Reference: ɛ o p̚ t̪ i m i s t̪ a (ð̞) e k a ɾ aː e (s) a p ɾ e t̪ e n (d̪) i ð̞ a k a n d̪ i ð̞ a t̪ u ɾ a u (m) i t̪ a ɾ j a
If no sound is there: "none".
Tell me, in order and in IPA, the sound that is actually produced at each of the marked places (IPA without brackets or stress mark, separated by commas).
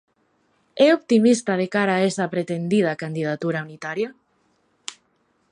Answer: ð̞, s, d̪, n